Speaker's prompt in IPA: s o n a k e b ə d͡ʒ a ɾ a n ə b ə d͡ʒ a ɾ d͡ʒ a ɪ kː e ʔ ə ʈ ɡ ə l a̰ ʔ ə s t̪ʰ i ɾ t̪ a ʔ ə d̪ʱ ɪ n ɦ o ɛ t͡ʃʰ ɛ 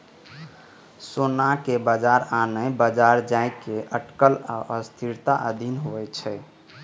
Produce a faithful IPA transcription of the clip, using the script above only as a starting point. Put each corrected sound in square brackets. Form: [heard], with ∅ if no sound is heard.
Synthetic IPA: s o n a k e b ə d͡ʒ a ɾ a n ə b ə d͡ʒ a ɾ d͡ʒ a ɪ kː e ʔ ə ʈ [k] ə l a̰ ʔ ə s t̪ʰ i ɾ t̪ a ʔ ə d̪ʱ [i] n ɦ o ɛ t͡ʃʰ ɛ